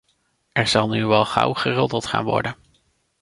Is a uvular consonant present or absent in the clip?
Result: present